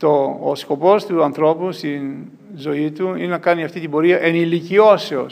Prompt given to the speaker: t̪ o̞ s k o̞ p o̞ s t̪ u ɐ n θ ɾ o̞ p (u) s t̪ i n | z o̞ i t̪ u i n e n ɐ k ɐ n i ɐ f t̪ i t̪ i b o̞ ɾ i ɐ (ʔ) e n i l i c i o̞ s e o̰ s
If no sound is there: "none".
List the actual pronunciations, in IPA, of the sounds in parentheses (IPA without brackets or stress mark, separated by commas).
u, ʔ